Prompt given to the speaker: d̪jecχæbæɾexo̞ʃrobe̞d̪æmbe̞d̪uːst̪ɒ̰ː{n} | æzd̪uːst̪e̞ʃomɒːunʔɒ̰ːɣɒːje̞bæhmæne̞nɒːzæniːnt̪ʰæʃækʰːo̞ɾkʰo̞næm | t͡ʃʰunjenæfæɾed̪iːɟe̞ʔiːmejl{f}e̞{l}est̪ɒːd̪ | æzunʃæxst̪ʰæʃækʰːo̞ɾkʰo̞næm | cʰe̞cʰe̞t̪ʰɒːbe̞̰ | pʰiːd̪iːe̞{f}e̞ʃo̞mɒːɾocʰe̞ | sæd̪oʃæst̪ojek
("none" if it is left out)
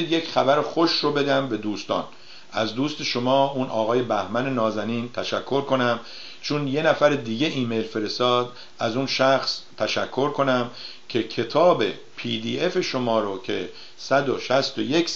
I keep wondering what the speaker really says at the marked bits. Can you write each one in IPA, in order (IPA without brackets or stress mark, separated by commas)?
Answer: n, f, ɾ, f